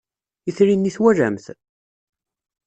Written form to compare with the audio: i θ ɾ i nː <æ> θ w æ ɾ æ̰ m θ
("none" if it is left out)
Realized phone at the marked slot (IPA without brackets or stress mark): i